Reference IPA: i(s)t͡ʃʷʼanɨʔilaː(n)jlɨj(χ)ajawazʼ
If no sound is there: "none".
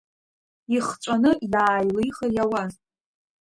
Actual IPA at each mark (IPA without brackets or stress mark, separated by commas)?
χ, none, χ